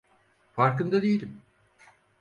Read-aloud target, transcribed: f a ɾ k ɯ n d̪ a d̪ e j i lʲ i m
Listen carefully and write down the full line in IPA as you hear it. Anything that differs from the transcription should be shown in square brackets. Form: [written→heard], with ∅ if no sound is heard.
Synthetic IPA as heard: f a ɾ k ɯ n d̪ a d̪ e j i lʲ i m